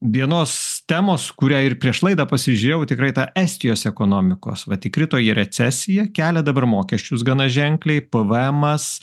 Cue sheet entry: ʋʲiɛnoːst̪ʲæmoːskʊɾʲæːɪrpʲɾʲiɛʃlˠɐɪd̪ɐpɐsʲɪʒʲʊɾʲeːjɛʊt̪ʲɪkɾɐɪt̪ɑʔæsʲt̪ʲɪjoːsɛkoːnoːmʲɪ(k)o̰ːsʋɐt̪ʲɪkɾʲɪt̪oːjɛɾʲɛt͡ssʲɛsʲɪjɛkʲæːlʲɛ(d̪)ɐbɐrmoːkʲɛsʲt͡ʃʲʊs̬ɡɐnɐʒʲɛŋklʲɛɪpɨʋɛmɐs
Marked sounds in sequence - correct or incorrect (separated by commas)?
correct, correct